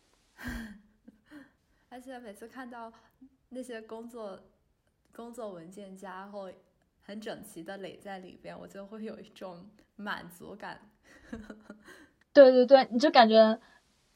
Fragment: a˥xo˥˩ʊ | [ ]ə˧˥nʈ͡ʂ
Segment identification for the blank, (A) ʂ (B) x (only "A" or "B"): B